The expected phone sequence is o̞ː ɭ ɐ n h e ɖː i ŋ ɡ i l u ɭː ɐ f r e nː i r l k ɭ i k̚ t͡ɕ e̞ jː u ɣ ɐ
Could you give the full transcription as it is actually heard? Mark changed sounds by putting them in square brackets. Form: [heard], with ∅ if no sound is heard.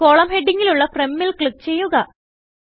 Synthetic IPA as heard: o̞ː ɭ ɐ [m] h e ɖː i ŋ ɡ i l u ɭː ɐ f r e [mː] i [∅] l k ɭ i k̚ t͡ɕ e̞ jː u ɣ ɐ